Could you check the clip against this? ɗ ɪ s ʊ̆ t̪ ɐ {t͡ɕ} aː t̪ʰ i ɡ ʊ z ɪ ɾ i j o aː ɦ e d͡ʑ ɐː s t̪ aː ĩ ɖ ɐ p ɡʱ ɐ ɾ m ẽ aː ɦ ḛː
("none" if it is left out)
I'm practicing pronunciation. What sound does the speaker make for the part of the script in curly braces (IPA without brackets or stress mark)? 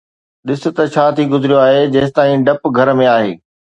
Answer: t͡ɕʰ